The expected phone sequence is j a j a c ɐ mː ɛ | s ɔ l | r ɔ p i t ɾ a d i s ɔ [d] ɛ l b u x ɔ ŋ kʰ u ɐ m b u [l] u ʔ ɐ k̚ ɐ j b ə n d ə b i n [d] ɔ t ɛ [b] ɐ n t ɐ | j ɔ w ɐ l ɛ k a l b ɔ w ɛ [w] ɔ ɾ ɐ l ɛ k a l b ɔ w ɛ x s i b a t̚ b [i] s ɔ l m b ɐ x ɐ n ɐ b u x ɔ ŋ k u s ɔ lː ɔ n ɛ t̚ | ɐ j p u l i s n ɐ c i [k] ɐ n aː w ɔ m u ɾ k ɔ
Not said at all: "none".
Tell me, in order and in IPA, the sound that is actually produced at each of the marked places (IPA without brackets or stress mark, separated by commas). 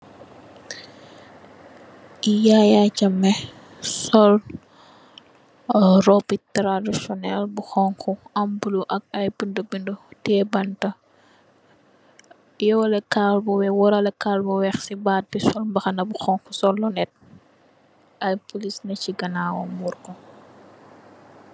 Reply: n, l, d, b, w, i, ɡ